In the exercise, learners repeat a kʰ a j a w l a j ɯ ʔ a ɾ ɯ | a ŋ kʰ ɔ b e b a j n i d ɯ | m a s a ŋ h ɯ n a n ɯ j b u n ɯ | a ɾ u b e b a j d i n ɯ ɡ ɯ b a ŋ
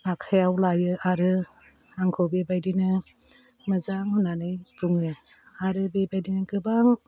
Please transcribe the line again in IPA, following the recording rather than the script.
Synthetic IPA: a kʰ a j a w l a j ɯ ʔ a ɾ ɯ | a ŋ kʰ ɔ b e b a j d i n ɯ | m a z a ŋ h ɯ n a n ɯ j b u ŋ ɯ | a ɾ ɯ b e b a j d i n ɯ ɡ ɯ b a ŋ